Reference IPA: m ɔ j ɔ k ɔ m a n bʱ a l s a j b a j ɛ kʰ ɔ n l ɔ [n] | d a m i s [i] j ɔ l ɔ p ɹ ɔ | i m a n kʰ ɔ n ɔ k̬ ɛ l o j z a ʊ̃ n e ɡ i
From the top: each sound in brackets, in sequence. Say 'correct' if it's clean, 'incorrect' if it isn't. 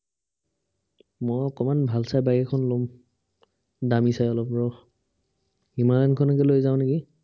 incorrect: m, incorrect: a

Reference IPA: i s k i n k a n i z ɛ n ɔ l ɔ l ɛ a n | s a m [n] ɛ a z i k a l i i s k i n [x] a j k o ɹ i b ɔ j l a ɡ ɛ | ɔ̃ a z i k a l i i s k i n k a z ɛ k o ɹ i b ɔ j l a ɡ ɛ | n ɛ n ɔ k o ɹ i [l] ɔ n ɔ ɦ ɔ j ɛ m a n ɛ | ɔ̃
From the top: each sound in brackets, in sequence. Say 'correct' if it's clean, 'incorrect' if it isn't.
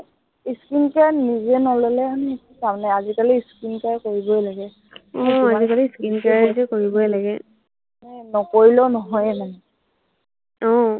correct, incorrect: k, correct

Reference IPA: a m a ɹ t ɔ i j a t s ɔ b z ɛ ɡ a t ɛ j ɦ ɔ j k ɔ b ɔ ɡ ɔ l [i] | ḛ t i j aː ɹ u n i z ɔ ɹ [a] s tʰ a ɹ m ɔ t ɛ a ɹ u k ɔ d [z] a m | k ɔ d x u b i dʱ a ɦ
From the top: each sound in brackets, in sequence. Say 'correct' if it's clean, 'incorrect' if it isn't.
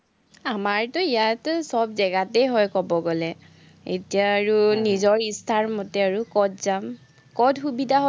incorrect: ɛ, incorrect: i, correct

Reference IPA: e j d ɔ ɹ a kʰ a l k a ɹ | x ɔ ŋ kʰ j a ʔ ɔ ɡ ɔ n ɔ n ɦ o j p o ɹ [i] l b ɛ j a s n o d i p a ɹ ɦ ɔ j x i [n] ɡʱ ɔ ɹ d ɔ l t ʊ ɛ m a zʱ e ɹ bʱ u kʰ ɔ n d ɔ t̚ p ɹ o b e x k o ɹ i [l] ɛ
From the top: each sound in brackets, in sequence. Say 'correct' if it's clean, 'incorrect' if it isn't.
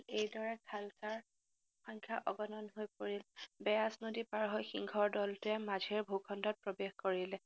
correct, incorrect: ŋ, correct

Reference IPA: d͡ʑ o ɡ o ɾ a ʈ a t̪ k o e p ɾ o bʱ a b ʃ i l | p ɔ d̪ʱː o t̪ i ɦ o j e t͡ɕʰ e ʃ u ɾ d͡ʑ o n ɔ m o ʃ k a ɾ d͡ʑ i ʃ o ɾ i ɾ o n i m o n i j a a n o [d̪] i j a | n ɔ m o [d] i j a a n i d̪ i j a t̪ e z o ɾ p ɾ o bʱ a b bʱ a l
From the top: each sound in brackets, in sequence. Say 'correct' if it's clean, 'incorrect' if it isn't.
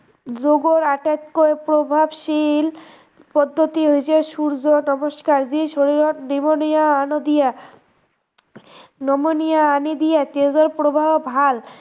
correct, incorrect: n

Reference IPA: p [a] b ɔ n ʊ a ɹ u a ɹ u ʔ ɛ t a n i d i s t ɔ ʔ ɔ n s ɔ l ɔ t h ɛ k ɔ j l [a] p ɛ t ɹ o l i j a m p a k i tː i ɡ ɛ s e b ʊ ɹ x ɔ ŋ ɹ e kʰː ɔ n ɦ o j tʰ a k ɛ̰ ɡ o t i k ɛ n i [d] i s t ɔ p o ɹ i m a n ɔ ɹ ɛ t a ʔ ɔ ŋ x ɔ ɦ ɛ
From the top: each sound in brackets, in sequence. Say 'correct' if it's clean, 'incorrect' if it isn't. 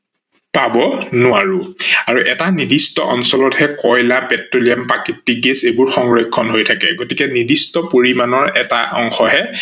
correct, correct, correct

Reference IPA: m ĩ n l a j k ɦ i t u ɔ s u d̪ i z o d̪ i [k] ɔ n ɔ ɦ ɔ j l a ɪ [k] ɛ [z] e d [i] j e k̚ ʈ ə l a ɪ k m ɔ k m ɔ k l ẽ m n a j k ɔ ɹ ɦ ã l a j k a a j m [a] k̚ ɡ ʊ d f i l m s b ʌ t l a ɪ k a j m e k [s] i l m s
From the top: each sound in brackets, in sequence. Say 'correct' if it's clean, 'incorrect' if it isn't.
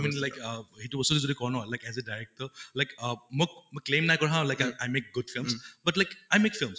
correct, correct, correct, incorrect: a, incorrect: e, incorrect: f

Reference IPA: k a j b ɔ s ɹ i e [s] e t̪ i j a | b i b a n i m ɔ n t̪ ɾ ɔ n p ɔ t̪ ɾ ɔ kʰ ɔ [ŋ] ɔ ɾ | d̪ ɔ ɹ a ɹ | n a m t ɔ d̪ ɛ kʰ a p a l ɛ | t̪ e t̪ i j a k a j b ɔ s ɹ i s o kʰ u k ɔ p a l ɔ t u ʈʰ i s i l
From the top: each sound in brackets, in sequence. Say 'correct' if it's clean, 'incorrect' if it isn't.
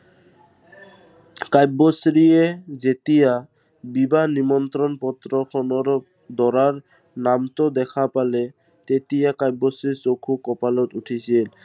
incorrect: z, incorrect: n

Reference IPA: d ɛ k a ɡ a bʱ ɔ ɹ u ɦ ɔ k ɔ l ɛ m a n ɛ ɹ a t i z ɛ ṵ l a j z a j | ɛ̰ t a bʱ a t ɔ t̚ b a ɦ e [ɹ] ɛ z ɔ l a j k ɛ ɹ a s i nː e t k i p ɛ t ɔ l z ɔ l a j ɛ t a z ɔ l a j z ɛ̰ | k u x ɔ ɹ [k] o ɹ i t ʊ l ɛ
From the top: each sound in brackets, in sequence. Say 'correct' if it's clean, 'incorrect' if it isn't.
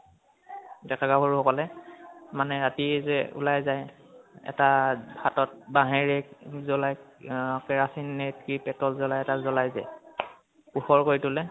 correct, correct

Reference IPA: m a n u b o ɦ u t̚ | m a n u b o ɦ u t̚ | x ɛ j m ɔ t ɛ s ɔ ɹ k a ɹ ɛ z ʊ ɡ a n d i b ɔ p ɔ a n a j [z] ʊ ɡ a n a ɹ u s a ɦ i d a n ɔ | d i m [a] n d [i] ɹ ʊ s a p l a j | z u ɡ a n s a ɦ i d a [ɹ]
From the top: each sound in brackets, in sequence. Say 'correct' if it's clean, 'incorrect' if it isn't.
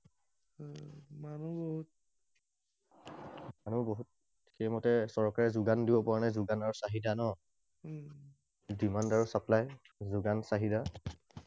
correct, correct, incorrect: a, incorrect: none

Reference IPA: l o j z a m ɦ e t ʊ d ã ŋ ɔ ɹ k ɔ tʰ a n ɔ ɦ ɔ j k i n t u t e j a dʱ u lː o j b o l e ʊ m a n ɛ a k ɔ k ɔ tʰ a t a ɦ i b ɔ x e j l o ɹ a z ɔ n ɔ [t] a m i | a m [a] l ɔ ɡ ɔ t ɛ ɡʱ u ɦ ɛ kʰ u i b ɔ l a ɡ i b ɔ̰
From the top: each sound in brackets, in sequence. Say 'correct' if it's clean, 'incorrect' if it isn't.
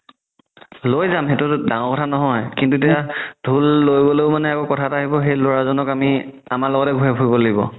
incorrect: k, correct

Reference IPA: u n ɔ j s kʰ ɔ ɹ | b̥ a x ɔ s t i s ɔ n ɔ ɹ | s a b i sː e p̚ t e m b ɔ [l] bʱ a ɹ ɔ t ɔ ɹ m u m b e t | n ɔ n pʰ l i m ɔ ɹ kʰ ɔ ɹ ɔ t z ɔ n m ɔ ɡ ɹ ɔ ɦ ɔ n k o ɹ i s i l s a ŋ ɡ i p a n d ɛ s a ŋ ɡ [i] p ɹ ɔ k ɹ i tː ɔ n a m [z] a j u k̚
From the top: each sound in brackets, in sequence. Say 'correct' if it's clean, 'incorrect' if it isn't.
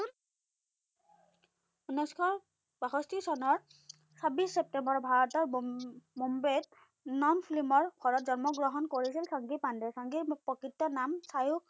incorrect: ɹ, correct, incorrect: s

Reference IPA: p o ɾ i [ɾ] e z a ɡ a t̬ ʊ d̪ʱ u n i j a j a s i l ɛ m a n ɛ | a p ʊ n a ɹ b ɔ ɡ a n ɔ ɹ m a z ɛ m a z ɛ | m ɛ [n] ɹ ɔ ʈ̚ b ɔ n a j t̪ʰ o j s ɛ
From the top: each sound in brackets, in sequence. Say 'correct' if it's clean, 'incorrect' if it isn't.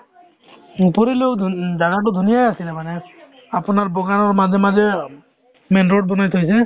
incorrect: l, correct

